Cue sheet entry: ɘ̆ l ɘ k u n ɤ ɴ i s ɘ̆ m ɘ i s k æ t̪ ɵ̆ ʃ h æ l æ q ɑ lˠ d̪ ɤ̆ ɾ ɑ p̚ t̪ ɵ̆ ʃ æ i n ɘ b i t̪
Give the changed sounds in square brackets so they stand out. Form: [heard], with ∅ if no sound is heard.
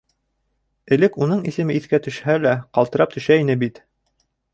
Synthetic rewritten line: ɘ̆ l ɘ k u n ɤ ɴ i s ɘ̆ m ɘ i [θ] k æ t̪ ɵ̆ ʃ h æ l æ q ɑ lˠ [t̪] ɤ̆ ɾ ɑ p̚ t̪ ɵ̆ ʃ æ i n ɘ b i t̪